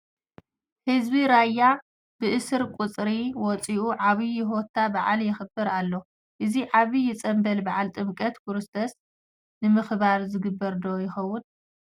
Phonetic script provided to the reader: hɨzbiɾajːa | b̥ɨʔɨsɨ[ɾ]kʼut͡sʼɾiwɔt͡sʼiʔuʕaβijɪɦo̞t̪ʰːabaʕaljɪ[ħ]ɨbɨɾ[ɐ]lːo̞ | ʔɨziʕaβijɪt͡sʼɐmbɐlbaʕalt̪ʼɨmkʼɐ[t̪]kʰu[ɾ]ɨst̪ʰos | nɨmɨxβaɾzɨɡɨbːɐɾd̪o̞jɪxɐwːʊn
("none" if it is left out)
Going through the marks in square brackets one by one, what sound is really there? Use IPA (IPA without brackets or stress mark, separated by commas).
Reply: ɾ, x, a, t̪, ɾ